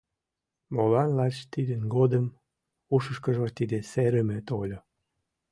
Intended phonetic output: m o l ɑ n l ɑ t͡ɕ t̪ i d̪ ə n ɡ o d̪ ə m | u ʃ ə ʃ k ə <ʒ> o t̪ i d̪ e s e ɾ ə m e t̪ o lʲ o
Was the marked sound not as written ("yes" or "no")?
no